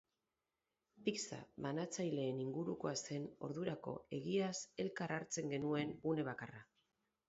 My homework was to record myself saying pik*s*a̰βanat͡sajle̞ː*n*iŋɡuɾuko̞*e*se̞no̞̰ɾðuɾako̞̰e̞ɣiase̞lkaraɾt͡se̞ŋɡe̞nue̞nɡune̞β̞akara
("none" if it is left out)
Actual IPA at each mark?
s, n, a

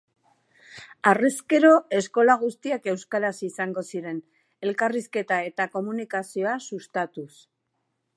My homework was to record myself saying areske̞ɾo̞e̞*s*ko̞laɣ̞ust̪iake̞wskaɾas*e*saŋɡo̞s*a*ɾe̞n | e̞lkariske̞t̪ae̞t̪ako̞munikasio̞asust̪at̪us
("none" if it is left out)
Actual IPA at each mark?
s, i, i

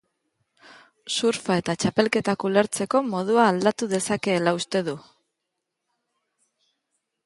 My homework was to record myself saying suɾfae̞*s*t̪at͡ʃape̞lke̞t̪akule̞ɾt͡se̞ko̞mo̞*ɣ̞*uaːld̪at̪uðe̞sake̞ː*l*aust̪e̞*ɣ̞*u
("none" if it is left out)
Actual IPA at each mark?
none, ð̞, l, ð̞

